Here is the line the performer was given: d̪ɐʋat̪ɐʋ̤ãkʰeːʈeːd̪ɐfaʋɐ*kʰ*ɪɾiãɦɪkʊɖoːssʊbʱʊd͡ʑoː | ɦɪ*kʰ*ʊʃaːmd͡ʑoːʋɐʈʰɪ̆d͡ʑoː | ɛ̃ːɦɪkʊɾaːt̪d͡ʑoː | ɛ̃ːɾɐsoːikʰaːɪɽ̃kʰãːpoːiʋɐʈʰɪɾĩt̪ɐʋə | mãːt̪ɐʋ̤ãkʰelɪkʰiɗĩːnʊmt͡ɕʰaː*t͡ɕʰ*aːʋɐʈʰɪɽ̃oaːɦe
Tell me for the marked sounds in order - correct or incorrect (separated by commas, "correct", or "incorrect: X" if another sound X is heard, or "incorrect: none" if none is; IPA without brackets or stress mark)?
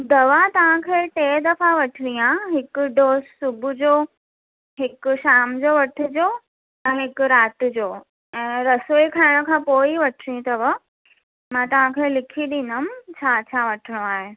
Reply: incorrect: ʈʰ, incorrect: k, correct